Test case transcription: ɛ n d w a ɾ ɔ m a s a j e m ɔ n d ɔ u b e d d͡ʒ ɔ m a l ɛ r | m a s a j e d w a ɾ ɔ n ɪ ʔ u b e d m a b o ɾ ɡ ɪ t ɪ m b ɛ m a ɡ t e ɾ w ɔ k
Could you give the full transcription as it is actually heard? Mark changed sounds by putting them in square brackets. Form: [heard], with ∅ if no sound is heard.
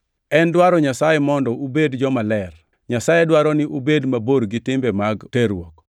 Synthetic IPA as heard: ɛ n d w a ɾ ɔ [ɲ] a s a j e m ɔ n d ɔ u b e d d͡ʒ ɔ m a l ɛ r | [ɲ] a s a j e d w a ɾ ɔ n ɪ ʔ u b e d m a b o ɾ ɡ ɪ t ɪ m b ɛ m a ɡ t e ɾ w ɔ k